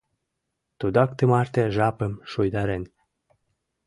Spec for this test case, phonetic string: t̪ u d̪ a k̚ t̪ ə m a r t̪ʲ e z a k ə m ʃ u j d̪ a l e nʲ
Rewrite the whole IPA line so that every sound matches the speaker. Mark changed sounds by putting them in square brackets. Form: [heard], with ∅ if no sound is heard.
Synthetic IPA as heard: t̪ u d̪ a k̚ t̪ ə m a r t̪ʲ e [ʒ] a [p] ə m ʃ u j d̪ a [ɾ] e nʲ